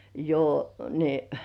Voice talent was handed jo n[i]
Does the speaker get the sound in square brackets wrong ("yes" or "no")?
no